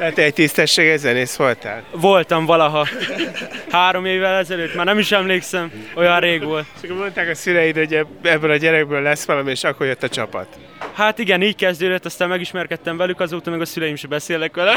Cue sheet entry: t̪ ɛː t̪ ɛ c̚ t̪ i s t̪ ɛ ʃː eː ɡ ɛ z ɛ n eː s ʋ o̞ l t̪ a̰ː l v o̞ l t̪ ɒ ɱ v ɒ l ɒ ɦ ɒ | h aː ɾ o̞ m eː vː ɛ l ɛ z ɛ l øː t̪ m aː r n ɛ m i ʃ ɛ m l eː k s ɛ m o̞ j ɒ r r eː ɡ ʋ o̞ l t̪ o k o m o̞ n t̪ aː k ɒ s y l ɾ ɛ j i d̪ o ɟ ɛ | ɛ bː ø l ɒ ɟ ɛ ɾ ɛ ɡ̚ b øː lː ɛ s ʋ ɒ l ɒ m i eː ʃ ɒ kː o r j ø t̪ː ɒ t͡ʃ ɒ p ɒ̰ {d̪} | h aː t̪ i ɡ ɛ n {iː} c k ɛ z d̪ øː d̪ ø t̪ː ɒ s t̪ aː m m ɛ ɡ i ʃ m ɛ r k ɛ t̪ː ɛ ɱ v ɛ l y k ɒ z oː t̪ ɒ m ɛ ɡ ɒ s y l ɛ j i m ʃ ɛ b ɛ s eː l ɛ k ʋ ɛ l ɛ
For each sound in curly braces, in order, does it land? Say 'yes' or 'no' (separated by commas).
no, yes